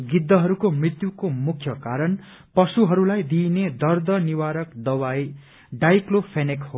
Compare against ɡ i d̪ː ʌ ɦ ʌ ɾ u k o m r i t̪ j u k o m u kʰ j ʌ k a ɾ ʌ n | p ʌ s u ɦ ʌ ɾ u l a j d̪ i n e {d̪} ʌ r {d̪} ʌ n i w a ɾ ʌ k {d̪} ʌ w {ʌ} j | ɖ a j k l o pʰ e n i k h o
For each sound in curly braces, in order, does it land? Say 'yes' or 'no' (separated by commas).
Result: yes, yes, yes, no